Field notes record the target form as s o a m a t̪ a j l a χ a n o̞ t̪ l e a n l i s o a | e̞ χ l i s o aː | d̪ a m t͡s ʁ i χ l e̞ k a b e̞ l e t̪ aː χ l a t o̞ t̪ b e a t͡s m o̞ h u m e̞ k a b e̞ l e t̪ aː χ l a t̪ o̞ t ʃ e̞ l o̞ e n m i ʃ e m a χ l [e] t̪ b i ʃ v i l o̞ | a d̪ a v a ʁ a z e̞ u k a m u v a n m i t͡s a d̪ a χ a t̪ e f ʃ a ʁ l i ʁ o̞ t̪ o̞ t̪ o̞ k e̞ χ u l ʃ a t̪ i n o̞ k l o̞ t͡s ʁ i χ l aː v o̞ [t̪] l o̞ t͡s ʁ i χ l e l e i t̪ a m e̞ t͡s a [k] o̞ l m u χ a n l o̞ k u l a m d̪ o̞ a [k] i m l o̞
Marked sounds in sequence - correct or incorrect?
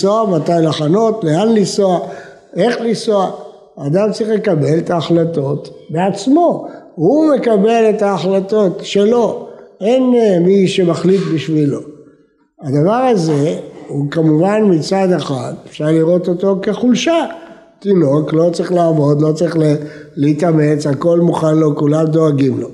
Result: incorrect: i, incorrect: d̪, correct, incorrect: ɡ

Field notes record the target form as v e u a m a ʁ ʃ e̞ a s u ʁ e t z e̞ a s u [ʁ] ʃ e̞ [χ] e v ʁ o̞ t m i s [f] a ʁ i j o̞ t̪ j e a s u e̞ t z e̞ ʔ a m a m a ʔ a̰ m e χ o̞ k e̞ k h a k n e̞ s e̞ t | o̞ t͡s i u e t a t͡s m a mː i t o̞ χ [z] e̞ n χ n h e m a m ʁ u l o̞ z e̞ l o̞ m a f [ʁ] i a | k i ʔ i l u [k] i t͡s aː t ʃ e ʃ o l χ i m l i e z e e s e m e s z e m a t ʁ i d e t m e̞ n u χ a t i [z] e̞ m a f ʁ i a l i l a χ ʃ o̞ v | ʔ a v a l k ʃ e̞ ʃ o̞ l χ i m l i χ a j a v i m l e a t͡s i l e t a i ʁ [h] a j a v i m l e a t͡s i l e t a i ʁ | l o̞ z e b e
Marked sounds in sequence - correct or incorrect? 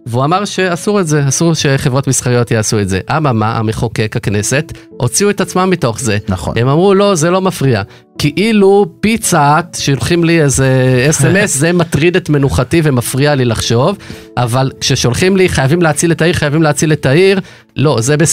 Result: correct, correct, incorrect: χ, correct, correct, incorrect: p, incorrect: v, incorrect: χ

